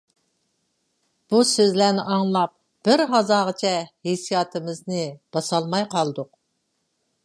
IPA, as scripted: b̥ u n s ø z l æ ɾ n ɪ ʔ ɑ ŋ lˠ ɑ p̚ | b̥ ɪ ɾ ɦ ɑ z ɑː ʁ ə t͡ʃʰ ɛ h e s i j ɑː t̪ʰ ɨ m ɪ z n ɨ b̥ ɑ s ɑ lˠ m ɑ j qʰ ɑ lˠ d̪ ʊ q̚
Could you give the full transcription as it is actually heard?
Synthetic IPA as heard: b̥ u s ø z l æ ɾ n ɪ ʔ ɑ ŋ lˠ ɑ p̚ | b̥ ɪ ɾ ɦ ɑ z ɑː ʁ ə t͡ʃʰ ɛ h e s i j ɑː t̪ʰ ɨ m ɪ z n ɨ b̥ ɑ s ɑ lˠ m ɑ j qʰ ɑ lˠ d̪ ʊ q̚